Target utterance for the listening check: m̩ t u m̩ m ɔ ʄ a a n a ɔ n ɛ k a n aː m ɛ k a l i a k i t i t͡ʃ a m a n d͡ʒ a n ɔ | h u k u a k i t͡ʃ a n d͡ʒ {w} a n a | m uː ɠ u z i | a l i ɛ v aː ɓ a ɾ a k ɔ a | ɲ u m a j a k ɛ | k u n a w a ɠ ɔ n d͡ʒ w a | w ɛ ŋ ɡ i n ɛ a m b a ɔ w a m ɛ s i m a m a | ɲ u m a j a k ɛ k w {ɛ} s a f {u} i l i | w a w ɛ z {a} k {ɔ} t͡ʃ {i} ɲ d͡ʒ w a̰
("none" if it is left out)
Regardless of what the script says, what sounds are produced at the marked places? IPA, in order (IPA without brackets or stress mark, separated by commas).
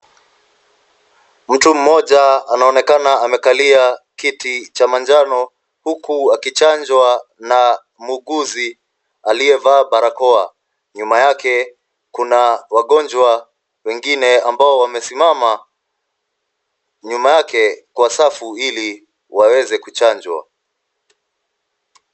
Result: w, a, u, ɛ, u, a